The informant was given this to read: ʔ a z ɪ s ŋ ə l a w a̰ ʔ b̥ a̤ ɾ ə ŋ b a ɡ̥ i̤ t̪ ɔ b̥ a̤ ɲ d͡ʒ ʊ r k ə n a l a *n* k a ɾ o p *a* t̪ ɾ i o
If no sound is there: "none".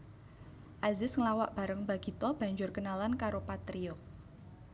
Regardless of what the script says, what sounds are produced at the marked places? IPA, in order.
n, a

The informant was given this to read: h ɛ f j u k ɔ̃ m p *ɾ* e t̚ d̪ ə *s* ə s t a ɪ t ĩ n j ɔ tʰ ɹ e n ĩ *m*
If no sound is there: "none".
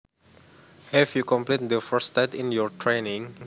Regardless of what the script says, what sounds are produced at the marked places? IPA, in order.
l, f, ŋ

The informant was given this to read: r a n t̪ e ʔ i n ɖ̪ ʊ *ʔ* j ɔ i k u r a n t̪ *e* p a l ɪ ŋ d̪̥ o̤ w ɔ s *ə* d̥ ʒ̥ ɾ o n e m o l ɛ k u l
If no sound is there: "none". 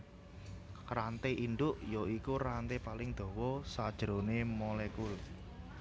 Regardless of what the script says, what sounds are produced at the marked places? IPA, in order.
ʔ, e, a

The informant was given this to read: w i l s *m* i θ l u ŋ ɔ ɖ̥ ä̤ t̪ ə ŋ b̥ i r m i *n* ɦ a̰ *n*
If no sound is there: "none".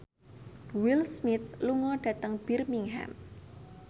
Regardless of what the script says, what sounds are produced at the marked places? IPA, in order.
m, ŋ, m

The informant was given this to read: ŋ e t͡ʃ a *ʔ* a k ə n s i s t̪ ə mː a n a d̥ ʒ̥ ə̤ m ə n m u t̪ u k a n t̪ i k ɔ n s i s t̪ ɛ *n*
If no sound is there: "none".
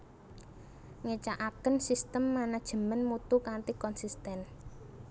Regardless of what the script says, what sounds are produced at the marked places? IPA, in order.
ʔ, n

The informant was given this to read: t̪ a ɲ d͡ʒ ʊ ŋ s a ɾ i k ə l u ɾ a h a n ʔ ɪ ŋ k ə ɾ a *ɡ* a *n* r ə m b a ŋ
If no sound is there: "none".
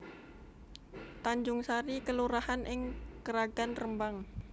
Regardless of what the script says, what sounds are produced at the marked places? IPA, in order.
ɡ, n

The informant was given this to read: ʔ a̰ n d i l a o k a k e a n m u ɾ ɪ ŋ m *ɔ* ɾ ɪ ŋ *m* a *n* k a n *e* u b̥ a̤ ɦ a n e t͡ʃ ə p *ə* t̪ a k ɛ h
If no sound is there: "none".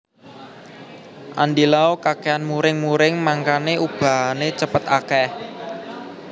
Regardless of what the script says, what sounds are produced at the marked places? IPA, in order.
u, m, ŋ, e, ə

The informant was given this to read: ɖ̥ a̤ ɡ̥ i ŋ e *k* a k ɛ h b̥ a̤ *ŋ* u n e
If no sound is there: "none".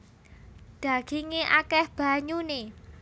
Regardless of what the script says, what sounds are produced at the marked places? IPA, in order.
ʔ, ɲ

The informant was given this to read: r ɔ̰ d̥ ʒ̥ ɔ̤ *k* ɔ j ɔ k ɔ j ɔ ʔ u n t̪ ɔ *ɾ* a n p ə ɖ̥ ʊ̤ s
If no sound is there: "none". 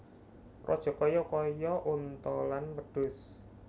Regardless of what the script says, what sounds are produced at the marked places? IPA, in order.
k, l

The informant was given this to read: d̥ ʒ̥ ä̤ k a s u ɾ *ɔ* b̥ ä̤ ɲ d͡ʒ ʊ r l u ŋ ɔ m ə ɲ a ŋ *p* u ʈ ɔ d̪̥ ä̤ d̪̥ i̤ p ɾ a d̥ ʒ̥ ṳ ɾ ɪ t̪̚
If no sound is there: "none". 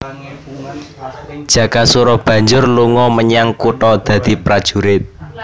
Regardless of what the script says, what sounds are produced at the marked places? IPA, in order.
ɔ, k

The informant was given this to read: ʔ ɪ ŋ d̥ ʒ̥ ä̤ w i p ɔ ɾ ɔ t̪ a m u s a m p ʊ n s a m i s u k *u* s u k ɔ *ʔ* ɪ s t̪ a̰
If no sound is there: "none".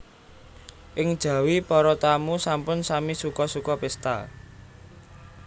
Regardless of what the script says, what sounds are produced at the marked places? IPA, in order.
ɔ, p

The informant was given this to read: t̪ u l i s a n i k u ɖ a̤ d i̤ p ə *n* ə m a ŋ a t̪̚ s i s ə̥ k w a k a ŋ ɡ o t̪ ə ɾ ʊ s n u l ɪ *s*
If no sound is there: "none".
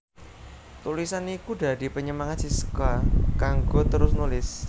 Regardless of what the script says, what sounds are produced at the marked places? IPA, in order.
ɲ, s

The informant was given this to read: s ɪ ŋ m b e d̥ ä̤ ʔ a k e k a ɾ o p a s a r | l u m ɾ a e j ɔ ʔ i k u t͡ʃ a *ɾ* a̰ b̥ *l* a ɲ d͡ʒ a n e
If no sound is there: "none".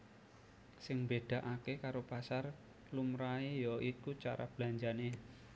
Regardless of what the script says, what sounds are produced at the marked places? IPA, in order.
ɾ, l

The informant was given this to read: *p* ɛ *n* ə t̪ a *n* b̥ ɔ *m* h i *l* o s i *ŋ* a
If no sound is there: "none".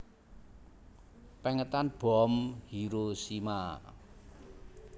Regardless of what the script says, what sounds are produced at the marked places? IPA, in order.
p, ŋ, n, m, ɾ, m

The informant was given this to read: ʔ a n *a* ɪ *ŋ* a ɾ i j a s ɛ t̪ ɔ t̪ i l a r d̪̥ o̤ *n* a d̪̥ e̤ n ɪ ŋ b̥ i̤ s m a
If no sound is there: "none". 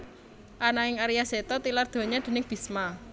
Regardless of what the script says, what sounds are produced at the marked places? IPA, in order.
a, ŋ, ɲ

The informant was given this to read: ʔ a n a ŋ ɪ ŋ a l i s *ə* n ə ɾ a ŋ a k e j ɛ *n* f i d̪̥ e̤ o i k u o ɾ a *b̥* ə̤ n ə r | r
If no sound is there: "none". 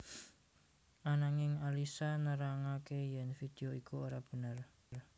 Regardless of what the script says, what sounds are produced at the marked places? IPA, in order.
a, n, b̥

